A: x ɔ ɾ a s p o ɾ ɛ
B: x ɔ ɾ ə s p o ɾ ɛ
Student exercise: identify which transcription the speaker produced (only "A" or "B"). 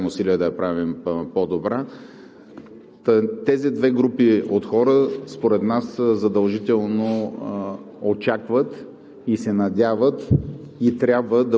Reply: B